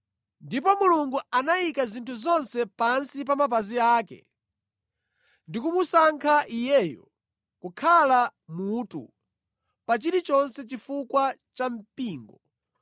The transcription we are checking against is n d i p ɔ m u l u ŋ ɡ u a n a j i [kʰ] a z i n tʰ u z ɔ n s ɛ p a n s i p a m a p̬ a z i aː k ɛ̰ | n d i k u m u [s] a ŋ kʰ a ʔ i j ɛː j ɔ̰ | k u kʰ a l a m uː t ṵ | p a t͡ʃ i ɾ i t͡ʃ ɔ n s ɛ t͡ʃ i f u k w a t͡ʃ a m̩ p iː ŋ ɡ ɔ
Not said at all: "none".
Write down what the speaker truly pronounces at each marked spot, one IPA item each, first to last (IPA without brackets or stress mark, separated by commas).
k, s